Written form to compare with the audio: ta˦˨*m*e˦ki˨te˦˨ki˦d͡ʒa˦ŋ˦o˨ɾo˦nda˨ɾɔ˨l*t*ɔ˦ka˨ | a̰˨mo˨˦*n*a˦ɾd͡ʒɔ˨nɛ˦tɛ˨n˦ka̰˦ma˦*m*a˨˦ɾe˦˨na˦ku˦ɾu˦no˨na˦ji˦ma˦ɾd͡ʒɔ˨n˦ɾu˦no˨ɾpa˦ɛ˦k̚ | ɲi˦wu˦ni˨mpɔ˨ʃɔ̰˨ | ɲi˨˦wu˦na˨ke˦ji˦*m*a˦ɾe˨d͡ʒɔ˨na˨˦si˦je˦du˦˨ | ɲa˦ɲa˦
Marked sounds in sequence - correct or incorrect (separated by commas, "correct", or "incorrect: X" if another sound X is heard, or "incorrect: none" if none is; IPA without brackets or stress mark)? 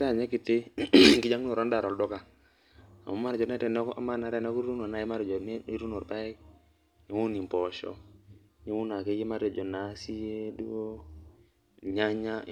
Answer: incorrect: ɲ, incorrect: d, incorrect: m, incorrect: n, correct